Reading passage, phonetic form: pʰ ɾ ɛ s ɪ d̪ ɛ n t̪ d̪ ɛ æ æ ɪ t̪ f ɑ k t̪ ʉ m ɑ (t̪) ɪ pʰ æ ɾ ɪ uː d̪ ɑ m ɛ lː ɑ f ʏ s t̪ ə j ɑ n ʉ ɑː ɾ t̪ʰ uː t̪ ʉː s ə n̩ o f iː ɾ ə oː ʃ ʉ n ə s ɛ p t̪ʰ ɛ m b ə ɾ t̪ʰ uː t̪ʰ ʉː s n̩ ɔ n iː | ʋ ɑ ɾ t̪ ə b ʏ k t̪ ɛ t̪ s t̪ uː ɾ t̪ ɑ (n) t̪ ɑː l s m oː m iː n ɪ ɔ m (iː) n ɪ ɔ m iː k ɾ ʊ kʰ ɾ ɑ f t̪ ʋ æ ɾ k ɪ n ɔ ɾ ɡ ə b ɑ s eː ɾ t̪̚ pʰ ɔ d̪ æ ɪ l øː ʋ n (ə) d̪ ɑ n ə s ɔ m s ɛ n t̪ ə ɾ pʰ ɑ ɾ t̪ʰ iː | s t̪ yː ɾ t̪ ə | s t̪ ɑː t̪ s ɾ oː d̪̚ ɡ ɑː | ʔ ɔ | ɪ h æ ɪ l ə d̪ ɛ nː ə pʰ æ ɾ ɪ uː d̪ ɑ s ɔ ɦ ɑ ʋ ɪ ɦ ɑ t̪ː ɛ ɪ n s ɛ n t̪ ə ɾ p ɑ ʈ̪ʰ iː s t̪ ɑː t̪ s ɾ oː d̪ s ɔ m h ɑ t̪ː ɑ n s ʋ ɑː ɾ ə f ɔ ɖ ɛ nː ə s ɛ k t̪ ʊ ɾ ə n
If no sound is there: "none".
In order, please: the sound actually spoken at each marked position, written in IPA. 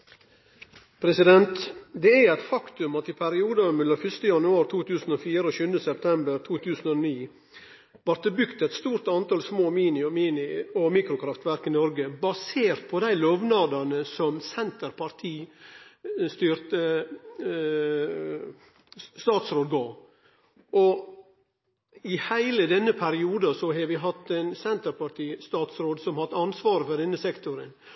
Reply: t̪, n, iː, ɑ

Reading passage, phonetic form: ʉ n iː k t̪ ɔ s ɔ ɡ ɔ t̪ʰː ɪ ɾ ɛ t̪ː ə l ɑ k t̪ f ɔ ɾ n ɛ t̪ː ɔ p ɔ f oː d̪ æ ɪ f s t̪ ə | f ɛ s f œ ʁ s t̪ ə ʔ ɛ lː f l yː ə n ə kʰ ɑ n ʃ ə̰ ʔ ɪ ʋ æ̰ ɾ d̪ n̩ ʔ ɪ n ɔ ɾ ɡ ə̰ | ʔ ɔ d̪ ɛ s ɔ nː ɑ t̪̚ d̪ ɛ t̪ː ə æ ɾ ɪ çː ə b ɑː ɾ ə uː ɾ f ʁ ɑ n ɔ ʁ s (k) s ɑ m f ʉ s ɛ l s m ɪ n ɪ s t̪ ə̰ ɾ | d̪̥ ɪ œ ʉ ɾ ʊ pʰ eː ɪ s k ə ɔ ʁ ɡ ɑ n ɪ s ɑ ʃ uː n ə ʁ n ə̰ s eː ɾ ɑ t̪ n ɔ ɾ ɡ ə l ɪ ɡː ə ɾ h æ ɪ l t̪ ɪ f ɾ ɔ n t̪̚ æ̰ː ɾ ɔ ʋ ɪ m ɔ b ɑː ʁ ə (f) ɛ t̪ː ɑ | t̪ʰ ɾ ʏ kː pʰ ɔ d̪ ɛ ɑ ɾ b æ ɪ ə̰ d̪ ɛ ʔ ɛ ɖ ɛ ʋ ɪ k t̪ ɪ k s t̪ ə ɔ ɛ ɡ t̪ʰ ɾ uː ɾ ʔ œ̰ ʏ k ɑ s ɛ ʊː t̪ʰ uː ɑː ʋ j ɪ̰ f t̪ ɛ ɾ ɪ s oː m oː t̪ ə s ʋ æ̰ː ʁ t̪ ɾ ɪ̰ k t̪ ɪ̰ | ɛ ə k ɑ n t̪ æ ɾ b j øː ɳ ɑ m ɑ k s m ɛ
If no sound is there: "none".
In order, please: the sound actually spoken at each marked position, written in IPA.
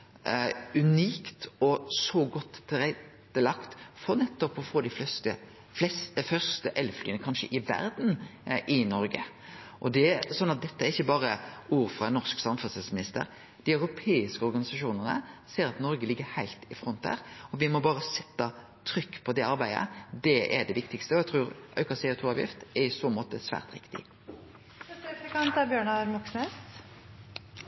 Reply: k, s

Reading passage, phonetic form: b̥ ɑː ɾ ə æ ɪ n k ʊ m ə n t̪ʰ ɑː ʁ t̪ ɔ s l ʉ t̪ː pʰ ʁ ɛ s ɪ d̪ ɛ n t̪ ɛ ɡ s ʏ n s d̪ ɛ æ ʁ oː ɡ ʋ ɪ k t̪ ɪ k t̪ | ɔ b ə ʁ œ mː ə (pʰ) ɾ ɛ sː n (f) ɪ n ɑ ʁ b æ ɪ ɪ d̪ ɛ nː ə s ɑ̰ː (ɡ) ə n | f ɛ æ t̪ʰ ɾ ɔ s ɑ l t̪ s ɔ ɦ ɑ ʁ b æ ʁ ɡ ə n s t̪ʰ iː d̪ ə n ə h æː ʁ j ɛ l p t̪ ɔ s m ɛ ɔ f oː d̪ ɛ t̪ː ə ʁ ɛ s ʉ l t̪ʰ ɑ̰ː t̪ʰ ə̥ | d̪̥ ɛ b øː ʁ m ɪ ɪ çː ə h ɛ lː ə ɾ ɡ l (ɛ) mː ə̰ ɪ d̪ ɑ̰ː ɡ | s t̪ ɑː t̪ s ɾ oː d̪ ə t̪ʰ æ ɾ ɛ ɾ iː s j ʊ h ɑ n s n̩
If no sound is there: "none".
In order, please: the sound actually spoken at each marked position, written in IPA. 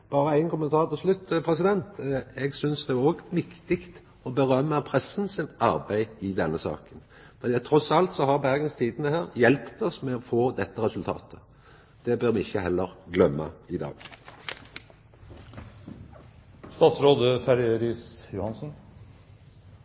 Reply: pʰ, s, k, œ

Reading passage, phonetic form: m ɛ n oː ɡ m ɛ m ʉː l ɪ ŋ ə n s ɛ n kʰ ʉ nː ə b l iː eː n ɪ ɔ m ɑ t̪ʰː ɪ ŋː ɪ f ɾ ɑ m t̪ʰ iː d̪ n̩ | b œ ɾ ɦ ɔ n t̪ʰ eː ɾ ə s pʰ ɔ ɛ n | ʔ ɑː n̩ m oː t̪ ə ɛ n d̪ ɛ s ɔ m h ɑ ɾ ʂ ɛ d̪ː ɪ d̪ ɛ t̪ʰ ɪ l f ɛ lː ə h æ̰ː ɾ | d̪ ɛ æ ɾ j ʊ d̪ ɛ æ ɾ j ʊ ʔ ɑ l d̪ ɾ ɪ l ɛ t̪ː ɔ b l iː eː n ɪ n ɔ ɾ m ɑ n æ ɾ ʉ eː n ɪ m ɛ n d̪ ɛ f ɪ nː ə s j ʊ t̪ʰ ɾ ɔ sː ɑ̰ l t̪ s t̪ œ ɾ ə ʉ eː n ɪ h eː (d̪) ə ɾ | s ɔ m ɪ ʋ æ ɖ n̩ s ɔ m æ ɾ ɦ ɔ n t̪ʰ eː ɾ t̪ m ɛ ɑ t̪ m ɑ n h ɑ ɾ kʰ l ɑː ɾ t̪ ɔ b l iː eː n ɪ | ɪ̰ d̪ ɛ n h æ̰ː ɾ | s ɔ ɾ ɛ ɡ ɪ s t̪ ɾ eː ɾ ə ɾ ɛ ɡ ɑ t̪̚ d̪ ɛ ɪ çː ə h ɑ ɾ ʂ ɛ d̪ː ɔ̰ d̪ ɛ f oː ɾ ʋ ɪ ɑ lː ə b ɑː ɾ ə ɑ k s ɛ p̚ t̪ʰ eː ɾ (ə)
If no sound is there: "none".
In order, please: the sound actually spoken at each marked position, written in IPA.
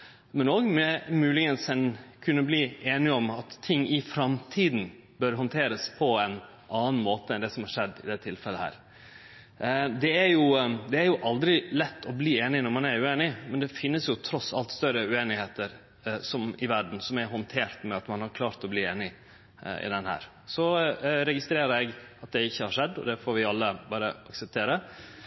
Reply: t̪, ə

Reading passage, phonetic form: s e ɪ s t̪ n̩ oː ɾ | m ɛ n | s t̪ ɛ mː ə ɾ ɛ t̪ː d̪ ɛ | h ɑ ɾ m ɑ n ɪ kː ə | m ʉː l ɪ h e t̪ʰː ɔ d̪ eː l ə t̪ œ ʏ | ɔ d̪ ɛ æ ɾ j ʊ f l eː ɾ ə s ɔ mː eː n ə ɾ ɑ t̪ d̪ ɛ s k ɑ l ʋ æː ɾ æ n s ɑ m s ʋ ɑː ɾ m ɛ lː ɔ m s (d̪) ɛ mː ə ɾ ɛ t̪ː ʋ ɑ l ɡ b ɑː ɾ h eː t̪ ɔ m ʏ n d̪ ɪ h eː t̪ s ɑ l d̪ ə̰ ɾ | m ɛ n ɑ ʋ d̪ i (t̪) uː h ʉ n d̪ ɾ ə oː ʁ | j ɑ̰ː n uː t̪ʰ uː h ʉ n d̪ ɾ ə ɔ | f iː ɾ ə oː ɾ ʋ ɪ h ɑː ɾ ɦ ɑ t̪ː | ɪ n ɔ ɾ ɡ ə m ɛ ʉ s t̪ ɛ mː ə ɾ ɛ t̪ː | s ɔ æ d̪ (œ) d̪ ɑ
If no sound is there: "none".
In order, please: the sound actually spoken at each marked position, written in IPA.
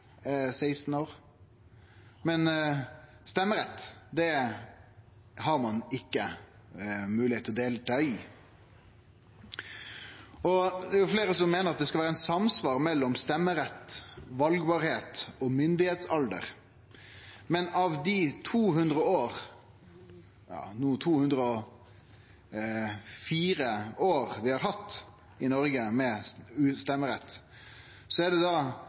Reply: t̪, t̪ʰ, ɛ

